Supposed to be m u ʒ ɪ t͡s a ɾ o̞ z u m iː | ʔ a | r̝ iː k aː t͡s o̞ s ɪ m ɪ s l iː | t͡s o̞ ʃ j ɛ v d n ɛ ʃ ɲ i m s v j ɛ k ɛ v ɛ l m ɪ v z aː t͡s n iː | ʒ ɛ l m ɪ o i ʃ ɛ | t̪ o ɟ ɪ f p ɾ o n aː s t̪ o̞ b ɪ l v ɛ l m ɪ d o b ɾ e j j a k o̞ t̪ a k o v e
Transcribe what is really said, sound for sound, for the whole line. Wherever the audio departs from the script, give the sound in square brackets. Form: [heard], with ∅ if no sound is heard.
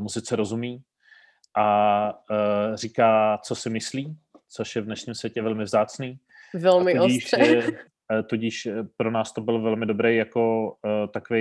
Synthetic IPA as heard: m u [z] ɪ t͡s [ɛ] ɾ o̞ z u m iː | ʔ a | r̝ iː k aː t͡s o̞ s ɪ m ɪ s l iː | t͡s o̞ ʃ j ɛ v d n ɛ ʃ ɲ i m s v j ɛ [c] ɛ v ɛ l m ɪ v z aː t͡s n iː | [v] ɛ l m ɪ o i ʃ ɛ | t̪ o ɟ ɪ [ʃ] p ɾ o n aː s t̪ o̞ b ɪ l v ɛ l m ɪ d o b ɾ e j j a k o̞ t̪ a k o v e